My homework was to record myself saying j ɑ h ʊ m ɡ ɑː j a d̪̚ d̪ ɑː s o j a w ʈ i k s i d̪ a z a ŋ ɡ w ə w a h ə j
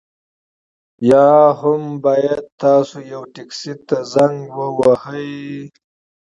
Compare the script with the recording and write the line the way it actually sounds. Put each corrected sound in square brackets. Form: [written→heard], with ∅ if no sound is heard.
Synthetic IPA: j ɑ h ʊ m [ɡ→b] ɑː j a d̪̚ [d̪→t̪] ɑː s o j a w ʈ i k s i [d̪→t̪] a z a ŋ ɡ w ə w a h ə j